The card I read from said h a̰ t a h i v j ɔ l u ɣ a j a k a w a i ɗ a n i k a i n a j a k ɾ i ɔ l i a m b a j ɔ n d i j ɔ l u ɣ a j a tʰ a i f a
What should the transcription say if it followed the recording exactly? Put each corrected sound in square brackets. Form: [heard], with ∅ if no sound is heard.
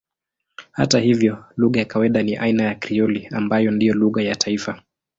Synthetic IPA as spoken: h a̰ t a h i v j ɔ l u ɣ a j a k a w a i ɗ a n i [ʔ] a i n a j a k ɾ i ɔ l i a m b a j ɔ n d i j ɔ l u ɣ a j a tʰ a i f a